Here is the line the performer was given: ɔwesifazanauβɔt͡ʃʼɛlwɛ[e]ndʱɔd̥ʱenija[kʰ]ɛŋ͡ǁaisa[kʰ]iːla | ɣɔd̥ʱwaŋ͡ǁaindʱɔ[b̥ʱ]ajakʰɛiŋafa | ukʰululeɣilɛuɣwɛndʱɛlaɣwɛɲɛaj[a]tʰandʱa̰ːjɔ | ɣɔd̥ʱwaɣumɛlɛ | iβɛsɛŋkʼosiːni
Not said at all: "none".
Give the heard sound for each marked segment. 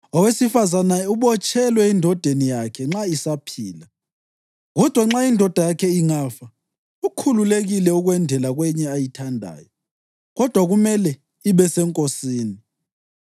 i, kʰ, pʰ, d̥ʱ, i

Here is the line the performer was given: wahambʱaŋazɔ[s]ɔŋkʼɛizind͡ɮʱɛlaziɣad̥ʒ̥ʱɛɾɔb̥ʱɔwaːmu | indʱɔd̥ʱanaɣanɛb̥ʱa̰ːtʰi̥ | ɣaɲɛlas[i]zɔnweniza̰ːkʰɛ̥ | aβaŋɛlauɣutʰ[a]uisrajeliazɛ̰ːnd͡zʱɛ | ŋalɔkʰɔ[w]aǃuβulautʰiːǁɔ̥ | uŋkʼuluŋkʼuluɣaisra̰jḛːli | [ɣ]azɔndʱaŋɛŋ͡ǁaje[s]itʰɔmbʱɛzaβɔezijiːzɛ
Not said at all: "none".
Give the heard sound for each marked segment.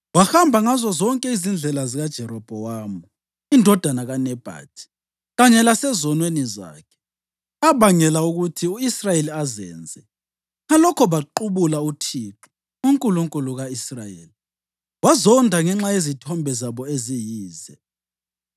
z, ɛ, i, β, w, z

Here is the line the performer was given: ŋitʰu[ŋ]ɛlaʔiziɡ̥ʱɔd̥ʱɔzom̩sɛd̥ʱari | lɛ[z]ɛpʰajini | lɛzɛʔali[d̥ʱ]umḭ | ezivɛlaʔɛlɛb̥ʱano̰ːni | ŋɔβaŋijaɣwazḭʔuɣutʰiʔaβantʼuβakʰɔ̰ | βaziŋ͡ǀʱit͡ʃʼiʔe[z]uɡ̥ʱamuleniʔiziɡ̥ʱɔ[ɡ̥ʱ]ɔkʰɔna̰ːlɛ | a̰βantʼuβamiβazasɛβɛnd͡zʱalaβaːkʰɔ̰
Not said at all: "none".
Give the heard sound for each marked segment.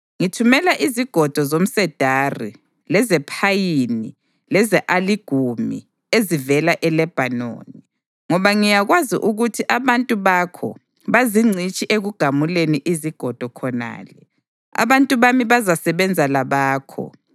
m, z, ɡ̥ʱ, ɣ, d̥ʱ

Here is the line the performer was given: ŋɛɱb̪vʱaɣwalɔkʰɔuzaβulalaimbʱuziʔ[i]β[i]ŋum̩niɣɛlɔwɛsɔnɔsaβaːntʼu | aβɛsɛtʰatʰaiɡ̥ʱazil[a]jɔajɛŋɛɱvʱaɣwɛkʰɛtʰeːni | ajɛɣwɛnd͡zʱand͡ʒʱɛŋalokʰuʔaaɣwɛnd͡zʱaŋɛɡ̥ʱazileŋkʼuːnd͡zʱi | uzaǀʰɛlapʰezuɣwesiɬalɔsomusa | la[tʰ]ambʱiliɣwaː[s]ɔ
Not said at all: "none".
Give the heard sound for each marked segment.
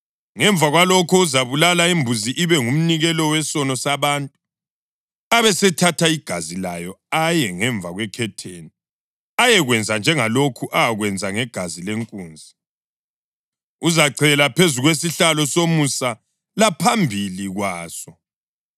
i, ɛ, a, pʰ, s

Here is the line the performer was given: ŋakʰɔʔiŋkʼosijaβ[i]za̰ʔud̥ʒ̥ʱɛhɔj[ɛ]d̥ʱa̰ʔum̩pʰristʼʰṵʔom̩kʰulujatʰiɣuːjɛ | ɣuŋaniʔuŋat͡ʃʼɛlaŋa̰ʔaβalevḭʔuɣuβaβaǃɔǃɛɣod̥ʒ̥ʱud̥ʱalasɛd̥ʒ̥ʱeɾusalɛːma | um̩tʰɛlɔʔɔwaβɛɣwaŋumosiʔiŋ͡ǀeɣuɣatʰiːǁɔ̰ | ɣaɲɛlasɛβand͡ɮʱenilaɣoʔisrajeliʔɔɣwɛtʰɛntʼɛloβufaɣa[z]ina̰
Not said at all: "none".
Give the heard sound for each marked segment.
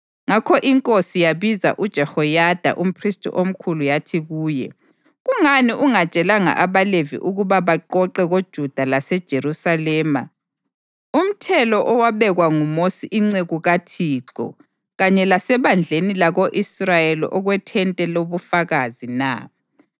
i, a, z

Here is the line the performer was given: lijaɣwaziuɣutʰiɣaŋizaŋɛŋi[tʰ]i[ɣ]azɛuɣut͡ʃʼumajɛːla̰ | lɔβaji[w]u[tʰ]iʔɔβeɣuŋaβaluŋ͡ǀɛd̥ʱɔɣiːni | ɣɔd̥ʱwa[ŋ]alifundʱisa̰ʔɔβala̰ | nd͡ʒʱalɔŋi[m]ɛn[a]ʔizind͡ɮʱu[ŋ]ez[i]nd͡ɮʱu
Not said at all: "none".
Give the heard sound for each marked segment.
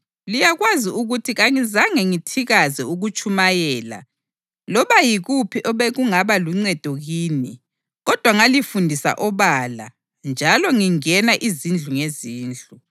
tʰ, ɣ, ɣ, pʰ, ŋ, ŋ, a, ŋ, iː

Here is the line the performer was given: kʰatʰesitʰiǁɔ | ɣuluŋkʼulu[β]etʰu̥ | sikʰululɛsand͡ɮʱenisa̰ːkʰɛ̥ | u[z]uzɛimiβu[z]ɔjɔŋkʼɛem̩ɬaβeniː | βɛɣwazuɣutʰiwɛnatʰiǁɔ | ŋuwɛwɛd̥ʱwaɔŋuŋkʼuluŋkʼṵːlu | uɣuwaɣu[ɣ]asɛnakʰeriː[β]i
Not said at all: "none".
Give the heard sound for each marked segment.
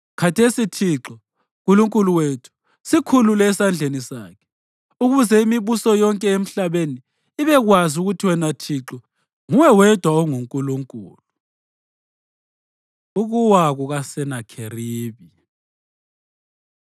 w, ɣ, s, ɣ, β

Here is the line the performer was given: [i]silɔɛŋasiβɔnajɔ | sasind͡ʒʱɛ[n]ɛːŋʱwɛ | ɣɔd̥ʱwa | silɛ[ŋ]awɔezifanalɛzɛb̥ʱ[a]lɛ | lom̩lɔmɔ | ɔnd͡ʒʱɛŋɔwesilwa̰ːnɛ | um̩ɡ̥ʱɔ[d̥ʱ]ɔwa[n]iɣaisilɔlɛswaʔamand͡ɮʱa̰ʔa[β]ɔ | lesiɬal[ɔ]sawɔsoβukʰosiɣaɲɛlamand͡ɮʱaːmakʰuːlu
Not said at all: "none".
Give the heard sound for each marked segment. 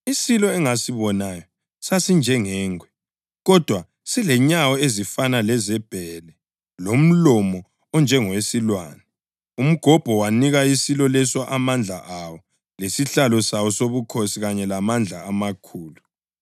i, ŋ, ɲ, ɛ, b̥ʱ, n, w, ɔ

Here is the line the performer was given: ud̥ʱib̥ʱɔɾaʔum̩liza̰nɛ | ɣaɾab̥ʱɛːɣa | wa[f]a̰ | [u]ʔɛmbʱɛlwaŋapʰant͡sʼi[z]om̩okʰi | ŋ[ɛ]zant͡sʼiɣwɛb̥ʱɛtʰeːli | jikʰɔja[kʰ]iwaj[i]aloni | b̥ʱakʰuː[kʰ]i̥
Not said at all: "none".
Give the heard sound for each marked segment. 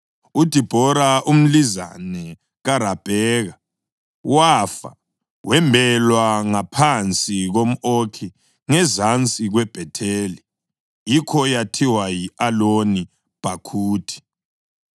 f, w, ɣ, ɛ, tʰ, i, tʰ

